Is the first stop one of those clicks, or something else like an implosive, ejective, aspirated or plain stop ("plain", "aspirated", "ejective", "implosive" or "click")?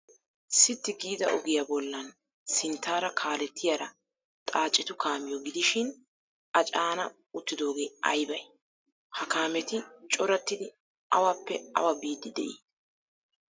plain